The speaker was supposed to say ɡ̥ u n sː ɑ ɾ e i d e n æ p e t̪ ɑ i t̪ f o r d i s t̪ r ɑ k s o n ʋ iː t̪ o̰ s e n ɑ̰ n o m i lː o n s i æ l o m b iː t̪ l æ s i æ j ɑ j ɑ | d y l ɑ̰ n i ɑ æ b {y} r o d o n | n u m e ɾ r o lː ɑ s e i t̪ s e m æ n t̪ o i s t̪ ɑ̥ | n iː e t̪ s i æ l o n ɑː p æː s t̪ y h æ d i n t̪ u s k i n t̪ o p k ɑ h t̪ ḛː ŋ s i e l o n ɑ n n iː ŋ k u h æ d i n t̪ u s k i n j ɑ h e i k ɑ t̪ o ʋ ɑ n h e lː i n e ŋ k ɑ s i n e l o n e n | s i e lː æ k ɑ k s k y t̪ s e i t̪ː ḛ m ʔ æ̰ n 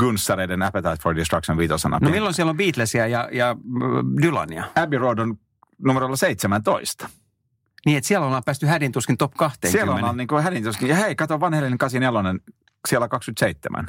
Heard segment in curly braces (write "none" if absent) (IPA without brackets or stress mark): i